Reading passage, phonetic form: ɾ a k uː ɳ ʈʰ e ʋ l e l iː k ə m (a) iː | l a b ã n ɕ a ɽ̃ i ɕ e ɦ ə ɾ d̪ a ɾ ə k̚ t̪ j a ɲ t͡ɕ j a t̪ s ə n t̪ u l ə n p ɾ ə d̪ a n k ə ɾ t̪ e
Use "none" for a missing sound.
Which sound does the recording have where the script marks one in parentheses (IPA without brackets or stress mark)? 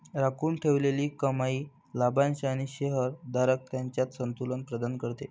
a